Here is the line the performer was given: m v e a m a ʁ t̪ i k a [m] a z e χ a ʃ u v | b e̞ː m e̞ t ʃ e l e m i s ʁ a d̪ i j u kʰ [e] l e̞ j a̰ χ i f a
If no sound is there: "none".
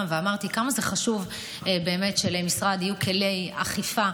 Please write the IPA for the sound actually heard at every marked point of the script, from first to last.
m, e

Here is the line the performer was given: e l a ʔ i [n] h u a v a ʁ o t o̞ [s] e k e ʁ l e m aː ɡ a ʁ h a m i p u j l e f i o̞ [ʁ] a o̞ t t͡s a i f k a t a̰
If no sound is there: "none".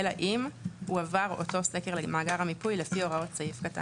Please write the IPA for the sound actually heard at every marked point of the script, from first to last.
m, s, ʁ

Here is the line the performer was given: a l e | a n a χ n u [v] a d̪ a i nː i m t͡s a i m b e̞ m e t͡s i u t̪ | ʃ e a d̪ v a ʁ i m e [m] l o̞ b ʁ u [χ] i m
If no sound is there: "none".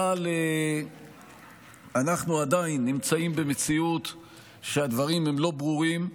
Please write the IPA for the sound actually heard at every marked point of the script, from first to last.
none, m, ʁ

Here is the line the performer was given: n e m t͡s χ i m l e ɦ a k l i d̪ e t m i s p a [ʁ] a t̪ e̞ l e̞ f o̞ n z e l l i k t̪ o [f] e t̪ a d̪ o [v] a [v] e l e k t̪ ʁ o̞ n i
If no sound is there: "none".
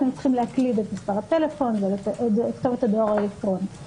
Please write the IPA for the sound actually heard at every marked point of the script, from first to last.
ʁ, v, ʁ, none

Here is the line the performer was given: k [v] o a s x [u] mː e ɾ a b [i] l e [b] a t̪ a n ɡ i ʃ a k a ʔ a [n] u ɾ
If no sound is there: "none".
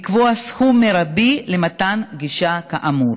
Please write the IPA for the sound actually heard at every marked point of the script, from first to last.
v, u, i, m, m

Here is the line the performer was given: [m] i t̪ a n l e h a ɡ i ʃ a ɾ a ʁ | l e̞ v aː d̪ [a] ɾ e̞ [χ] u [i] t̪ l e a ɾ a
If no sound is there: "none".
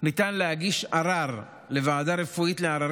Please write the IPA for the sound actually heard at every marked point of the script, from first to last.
n, a, f, i

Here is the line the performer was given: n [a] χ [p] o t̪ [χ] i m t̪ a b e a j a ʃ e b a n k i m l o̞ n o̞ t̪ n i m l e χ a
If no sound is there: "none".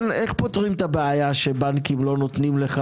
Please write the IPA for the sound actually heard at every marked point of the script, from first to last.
e, p, ʁ

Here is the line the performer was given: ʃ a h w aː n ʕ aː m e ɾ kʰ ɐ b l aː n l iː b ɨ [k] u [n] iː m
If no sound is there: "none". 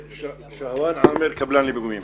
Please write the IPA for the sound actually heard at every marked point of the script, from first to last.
ɡ, m

